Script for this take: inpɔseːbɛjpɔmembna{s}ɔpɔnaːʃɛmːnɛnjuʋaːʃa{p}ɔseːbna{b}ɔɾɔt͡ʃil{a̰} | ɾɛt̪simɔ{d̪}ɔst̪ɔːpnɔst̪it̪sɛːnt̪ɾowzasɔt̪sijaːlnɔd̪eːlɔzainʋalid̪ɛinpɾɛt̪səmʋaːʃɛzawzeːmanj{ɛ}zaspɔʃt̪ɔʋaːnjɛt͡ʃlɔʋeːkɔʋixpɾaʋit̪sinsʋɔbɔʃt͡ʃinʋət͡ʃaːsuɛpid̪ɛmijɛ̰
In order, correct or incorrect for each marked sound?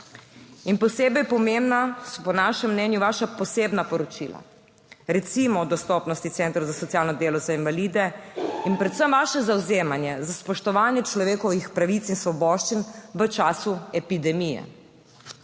correct, correct, incorrect, correct, correct, correct

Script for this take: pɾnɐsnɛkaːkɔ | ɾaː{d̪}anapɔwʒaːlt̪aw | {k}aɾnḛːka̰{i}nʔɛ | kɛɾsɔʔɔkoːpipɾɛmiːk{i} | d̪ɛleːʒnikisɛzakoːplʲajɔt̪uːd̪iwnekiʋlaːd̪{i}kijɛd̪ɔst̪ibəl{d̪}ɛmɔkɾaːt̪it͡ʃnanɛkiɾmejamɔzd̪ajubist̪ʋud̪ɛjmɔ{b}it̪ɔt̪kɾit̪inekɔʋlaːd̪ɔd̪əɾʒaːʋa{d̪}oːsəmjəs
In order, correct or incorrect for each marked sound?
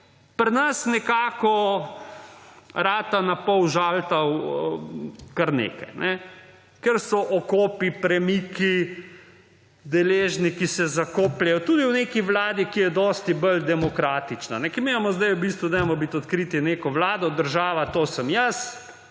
incorrect, correct, incorrect, correct, correct, correct, correct, incorrect

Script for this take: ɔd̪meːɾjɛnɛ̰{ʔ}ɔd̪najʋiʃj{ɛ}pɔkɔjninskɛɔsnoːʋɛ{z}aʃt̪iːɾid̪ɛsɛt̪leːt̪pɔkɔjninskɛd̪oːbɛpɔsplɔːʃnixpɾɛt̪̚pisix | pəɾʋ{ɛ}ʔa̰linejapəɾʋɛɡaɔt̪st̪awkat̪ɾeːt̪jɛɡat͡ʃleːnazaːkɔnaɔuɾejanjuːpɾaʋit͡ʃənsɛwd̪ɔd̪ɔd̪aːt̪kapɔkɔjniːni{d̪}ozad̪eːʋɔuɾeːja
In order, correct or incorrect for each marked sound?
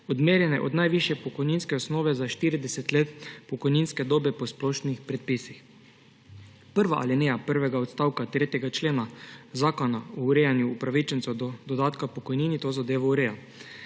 correct, correct, correct, incorrect, incorrect

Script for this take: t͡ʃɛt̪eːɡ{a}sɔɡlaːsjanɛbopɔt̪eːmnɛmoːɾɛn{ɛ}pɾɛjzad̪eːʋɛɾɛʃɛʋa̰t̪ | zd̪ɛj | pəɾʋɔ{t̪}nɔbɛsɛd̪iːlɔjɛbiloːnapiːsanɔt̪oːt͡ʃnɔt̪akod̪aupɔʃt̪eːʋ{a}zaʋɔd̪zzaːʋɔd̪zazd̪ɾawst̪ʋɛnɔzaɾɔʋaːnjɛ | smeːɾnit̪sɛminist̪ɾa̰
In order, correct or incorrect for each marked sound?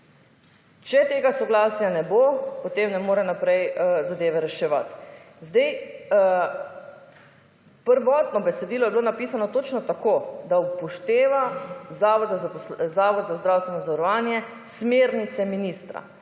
correct, incorrect, correct, correct

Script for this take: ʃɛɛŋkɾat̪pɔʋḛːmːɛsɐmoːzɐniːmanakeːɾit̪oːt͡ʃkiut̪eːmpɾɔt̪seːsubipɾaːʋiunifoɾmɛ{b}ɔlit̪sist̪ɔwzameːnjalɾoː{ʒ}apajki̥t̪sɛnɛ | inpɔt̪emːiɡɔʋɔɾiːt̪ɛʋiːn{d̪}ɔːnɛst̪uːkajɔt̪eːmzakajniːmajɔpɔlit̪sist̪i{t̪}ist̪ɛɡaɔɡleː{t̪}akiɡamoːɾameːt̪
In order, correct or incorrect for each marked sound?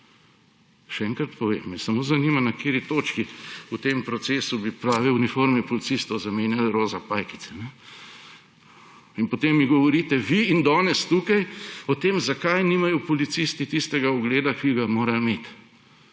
incorrect, incorrect, correct, correct, incorrect

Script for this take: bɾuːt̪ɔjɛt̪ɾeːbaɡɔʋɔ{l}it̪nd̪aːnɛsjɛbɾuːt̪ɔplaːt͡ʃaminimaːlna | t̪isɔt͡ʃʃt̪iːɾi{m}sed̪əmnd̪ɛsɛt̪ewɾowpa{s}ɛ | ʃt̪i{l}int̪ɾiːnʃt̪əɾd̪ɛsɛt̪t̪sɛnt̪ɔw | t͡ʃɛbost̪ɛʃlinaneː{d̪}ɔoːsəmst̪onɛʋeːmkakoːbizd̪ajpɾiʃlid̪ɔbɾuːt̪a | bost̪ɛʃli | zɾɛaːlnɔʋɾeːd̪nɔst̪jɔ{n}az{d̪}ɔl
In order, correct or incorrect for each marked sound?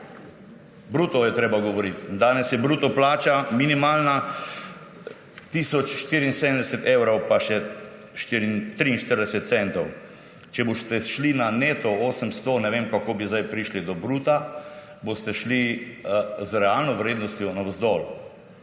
incorrect, incorrect, incorrect, incorrect, incorrect, correct, correct

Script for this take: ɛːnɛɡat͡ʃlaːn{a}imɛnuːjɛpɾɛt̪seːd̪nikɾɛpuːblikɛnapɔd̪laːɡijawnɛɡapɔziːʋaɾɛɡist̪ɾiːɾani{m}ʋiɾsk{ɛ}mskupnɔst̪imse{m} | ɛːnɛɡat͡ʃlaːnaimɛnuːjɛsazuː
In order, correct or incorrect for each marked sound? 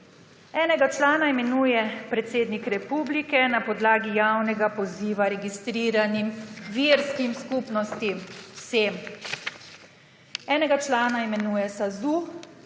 correct, correct, incorrect, correct

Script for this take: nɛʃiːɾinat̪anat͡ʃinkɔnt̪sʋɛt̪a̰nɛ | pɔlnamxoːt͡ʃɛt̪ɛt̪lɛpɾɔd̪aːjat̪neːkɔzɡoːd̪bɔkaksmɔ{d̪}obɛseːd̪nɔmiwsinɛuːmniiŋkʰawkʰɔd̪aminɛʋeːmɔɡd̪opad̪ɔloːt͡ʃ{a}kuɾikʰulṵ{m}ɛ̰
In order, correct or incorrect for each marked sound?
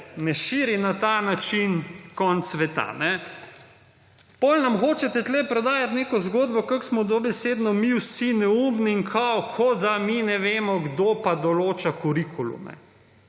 correct, correct, correct

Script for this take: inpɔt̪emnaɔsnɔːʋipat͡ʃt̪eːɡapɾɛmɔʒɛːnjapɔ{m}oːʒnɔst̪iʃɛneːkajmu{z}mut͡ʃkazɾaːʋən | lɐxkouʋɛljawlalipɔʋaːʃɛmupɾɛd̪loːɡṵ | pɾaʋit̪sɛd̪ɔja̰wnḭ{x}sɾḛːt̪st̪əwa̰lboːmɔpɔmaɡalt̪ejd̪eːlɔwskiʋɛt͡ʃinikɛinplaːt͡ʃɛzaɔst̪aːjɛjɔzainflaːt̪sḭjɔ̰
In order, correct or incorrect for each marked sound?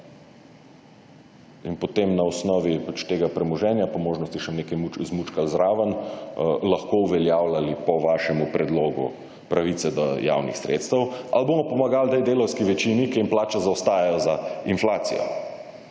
correct, correct, correct

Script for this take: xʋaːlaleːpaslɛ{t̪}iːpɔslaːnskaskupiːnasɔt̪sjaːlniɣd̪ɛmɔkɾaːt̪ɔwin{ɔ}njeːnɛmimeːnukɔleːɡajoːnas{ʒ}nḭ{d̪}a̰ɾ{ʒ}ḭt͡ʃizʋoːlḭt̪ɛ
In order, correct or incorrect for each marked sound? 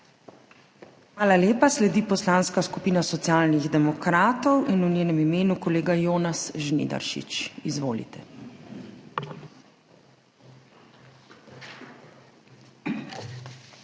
incorrect, incorrect, correct, correct, incorrect

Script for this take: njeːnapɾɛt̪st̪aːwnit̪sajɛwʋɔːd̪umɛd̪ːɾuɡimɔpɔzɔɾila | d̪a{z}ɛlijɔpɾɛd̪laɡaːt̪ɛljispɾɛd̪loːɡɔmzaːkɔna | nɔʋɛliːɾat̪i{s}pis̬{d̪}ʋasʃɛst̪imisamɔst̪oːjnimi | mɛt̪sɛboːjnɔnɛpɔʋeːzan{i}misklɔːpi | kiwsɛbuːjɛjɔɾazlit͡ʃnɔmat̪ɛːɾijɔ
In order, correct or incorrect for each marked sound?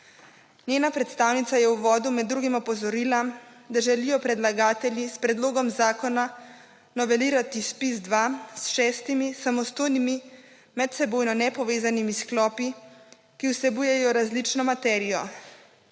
incorrect, correct, correct, correct

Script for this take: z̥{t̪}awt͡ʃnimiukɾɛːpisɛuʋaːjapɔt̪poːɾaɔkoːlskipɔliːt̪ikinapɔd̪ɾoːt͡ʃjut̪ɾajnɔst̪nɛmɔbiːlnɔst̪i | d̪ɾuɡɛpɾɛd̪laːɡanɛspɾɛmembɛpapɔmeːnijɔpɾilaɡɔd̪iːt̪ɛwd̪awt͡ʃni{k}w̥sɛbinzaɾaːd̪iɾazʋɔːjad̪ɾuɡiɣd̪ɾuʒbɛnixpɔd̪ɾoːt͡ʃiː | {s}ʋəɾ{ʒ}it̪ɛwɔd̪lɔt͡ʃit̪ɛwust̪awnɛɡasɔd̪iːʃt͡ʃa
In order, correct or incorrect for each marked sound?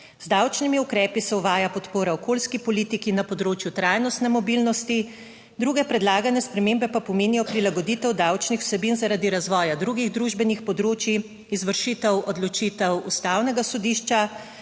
incorrect, incorrect, incorrect, incorrect

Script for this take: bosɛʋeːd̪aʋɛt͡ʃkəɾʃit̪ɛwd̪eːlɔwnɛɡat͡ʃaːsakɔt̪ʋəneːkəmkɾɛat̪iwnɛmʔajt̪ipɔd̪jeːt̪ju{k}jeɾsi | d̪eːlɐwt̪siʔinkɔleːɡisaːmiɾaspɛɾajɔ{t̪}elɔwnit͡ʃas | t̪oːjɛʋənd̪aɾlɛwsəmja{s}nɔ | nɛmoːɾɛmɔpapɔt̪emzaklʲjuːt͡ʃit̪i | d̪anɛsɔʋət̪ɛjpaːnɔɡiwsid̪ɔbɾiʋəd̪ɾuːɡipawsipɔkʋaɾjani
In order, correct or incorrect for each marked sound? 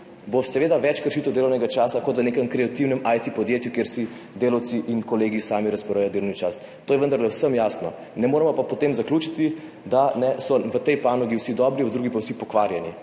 correct, incorrect, correct

